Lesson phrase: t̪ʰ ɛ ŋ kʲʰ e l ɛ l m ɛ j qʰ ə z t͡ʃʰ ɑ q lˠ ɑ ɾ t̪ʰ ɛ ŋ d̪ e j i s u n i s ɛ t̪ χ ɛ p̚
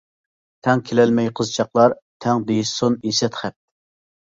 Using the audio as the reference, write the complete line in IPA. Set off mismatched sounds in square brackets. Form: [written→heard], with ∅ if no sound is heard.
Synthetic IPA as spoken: t̪ʰ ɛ ŋ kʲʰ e l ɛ l m ɛ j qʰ ə z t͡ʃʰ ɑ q lˠ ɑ ɾ t̪ʰ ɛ ŋ d̪ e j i s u n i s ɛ t̪ χ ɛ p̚

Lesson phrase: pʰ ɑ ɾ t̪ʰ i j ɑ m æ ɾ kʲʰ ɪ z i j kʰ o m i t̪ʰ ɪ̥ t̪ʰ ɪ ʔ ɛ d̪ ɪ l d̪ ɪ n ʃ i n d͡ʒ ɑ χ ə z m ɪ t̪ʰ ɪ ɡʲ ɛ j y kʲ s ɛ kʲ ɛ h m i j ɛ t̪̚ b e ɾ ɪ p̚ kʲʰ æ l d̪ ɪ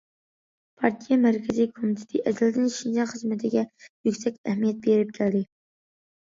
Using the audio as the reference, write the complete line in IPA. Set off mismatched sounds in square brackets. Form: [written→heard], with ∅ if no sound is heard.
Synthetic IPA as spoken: pʰ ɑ ɾ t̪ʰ i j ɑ m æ ɾ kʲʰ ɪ z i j kʰ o m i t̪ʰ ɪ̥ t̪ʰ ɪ ʔ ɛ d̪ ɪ l d̪ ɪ n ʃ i n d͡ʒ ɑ χ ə z m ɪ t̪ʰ ɪ ɡʲ ɛ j y kʲ s ɛ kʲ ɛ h m i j ɛ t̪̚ b e ɾ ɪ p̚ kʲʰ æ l d̪ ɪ

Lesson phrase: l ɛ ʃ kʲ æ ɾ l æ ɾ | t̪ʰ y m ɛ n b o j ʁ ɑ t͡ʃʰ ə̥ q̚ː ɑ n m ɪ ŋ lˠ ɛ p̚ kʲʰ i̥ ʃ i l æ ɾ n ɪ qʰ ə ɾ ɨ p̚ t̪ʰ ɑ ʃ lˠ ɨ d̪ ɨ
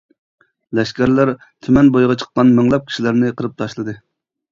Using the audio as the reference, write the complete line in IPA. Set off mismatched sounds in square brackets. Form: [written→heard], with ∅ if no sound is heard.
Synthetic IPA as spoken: l ɛ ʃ kʲ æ ɾ l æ ɾ | t̪ʰ y m ɛ n b o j ʁ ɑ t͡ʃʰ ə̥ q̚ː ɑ n m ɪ ŋ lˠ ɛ p̚ kʲʰ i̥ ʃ i l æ ɾ n ɪ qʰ ə ɾ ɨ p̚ t̪ʰ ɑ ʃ lˠ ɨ d̪ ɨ

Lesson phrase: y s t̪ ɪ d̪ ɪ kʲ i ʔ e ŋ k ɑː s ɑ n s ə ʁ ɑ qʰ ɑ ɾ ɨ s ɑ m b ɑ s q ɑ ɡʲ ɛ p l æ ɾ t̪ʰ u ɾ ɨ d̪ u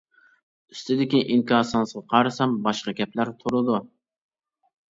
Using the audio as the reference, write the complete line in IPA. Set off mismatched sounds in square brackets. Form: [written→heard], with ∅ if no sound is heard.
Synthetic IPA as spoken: y s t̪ ɪ d̪ ɪ kʲ i ʔ [e→i] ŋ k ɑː s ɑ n s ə ʁ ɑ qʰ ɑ ɾ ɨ s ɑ m b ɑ [s→ʃ] q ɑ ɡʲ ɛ p l æ ɾ t̪ʰ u ɾ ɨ d̪ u

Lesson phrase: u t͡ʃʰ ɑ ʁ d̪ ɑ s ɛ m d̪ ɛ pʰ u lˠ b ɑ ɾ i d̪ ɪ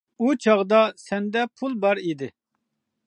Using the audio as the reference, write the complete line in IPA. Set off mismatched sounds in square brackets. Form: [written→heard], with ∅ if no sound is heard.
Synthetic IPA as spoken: u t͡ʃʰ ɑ ʁ d̪ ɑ s ɛ [m→n] d̪ ɛ pʰ u lˠ b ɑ ɾ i d̪ ɪ

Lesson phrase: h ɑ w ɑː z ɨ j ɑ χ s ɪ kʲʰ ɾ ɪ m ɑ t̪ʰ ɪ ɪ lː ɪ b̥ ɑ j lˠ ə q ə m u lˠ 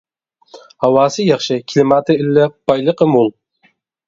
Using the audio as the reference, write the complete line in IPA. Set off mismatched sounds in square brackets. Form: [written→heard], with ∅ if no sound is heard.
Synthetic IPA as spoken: h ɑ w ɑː [z→s] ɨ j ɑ χ [s→ʃ] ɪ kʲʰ [ɾ→l] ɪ m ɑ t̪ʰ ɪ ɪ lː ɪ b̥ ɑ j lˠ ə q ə m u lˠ

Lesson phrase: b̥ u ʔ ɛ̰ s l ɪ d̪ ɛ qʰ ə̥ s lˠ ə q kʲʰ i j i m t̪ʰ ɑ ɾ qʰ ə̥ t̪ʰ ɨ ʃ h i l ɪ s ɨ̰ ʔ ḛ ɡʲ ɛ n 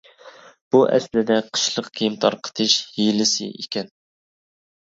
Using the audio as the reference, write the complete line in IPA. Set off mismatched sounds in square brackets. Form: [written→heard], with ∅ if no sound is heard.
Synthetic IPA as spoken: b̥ u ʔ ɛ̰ s l ɪ d̪ ɛ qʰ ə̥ [s→ʃ] lˠ ə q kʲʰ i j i m t̪ʰ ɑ ɾ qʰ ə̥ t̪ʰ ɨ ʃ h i l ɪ s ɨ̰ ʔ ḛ [ɡʲ→kʲ] ɛ n

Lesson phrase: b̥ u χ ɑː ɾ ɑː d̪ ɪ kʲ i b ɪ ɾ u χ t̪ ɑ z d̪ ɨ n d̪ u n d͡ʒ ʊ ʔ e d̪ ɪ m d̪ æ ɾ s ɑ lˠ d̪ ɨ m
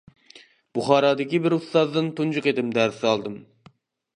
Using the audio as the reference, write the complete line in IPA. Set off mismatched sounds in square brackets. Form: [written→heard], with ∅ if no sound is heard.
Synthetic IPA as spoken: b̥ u χ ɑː ɾ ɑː d̪ ɪ kʲ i b ɪ ɾ u [χ→s] t̪ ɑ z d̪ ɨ n [d̪→t̪] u n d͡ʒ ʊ [ʔ→q] e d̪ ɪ m d̪ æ ɾ s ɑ lˠ d̪ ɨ m

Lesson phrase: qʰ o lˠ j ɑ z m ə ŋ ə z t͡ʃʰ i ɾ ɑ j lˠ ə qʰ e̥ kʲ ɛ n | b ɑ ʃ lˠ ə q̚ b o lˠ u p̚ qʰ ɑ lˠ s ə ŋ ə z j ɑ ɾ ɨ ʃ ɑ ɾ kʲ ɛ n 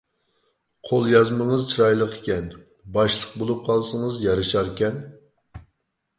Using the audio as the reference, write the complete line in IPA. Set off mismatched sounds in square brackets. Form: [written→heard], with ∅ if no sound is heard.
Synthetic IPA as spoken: qʰ o lˠ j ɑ z m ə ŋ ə z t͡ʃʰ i ɾ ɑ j lˠ ə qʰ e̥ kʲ ɛ n | b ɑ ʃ lˠ ə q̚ b o lˠ u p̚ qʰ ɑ lˠ s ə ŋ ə z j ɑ ɾ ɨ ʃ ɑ ɾ kʲ ɛ n

